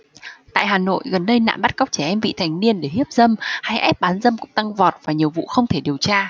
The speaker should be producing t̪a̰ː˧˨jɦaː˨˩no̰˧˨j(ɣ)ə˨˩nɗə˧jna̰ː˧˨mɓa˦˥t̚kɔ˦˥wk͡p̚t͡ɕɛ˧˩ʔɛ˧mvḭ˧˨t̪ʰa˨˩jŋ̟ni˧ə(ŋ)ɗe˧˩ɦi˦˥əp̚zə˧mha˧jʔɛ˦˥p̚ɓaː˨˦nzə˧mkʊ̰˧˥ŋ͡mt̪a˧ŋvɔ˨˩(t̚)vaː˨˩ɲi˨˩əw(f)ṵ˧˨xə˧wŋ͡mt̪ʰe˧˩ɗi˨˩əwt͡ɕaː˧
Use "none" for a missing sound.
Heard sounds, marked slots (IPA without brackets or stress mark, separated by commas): ɣ, n, t̚, v